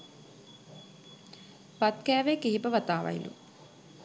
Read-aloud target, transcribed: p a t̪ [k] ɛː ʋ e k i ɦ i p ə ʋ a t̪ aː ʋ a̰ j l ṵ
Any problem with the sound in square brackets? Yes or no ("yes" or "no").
no